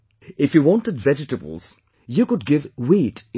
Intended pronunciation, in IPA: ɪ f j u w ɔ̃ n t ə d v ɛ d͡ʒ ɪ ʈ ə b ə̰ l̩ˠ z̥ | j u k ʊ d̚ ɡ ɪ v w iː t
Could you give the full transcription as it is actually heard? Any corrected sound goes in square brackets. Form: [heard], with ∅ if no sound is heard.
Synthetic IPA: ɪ f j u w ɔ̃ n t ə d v ɛ d͡ʒ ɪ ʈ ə b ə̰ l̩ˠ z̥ | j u k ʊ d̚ ɡ ɪ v w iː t